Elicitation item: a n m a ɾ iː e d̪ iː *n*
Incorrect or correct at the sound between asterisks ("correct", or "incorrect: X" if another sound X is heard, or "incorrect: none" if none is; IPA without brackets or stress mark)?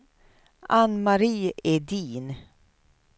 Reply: correct